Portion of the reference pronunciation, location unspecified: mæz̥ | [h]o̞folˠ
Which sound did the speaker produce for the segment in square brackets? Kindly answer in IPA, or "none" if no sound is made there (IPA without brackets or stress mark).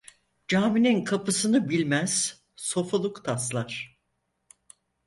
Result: s